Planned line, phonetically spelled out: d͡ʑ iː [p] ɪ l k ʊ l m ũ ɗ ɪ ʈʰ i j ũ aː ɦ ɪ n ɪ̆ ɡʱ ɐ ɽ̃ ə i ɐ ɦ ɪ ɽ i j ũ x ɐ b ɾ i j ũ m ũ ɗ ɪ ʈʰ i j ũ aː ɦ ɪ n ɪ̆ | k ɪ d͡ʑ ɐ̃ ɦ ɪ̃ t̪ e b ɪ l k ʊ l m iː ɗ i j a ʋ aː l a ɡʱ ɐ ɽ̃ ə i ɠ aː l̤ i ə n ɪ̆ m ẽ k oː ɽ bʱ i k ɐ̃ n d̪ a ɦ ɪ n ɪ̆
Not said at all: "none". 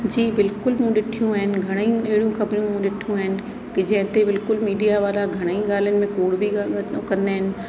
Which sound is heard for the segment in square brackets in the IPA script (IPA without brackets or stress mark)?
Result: b